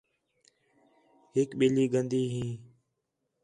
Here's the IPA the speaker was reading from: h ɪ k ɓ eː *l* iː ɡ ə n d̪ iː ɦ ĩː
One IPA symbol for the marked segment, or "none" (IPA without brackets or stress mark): l